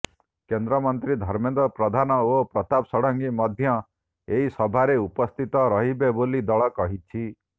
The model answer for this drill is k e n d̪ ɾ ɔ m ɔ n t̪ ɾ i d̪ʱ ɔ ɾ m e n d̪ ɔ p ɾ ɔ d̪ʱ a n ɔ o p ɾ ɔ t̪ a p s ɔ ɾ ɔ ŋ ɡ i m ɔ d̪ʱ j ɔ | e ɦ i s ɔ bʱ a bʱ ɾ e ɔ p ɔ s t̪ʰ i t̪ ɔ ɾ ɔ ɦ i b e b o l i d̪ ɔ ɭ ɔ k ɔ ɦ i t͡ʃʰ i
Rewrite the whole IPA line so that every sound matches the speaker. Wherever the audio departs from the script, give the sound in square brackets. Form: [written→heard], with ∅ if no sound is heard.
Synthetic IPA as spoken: k e n d̪ ɾ ɔ m ɔ n t̪ ɾ i d̪ʱ ɔ ɾ m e n d̪ ɔ p ɾ ɔ d̪ʱ a n ɔ o p ɾ ɔ t̪ a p s ɔ [ɾ→ɽ] ɔ ŋ ɡ i m ɔ d̪ʱ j ɔ | e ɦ i s ɔ bʱ a [bʱ→∅] ɾ e [ɔ→u] p ɔ s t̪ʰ i t̪ ɔ ɾ ɔ ɦ i b e b o l i d̪ ɔ ɭ ɔ k ɔ ɦ i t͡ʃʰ i